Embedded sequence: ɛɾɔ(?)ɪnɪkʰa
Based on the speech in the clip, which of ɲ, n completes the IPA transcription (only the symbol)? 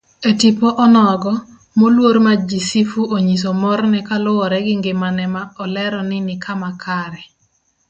n